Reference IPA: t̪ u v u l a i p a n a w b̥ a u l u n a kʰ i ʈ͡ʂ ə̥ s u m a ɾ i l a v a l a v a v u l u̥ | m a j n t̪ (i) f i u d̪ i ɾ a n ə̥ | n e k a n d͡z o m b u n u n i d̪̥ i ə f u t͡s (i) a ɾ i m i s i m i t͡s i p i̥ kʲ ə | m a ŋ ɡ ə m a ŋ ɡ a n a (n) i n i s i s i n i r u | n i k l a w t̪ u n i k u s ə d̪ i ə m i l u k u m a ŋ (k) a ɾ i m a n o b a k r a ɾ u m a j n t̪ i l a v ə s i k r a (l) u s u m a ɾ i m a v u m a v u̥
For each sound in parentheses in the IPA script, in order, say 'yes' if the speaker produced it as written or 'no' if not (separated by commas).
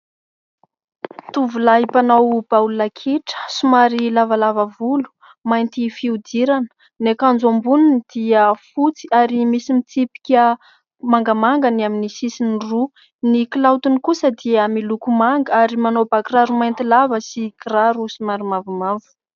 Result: yes, yes, no, no, no